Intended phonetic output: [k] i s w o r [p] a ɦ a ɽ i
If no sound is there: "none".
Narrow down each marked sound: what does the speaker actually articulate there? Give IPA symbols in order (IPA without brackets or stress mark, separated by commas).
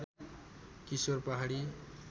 k, p